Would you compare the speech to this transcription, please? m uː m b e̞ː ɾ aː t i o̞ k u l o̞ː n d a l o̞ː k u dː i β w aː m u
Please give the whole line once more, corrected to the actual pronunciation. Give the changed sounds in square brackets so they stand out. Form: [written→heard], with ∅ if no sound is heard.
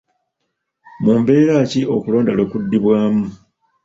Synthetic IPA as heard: m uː m b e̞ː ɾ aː [t→c] i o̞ k u l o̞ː n d a l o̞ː k u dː i β w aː m u